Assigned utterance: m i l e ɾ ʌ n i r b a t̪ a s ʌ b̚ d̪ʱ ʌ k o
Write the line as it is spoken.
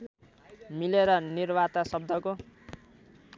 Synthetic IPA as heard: m i l e ɾ ʌ n i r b a t̪ a s ʌ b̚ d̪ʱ ʌ k o